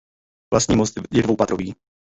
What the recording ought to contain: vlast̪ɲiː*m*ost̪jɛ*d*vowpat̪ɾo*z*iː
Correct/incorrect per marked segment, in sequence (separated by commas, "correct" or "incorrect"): correct, correct, incorrect